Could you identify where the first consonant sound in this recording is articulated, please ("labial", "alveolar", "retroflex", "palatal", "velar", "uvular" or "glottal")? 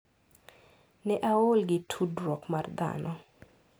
alveolar